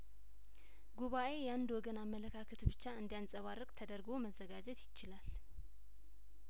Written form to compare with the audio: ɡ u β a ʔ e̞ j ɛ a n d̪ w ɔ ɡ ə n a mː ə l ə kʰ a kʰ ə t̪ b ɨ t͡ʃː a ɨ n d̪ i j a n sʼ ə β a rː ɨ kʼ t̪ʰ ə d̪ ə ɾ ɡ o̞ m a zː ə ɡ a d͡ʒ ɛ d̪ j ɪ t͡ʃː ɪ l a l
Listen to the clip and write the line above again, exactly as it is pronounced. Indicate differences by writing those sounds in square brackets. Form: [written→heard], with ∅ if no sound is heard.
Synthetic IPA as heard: ɡ u β a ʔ e̞ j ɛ a n d̪ w ɔ ɡ ə n a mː ə l ə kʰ a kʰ ə t̪ b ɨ t͡ʃː a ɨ n d̪ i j a n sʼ ə β a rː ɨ kʼ t̪ʰ ə d̪ ə ɾ ɡ o̞ m [a→ə] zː ə ɡ a d͡ʒ ɛ [d̪→t̪] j ɪ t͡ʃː ɪ l a l